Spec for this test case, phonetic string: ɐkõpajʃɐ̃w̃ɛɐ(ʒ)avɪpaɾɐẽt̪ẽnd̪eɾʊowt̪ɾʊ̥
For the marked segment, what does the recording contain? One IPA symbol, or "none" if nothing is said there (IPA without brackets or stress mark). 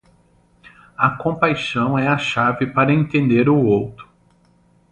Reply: ʃ